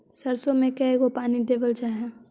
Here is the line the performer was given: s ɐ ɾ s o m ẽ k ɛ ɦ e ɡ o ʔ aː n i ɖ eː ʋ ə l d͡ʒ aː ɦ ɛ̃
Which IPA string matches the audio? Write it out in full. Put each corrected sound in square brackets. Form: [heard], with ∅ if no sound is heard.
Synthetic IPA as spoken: s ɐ ɾ s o m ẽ k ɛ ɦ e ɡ o [p] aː n i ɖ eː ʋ ə l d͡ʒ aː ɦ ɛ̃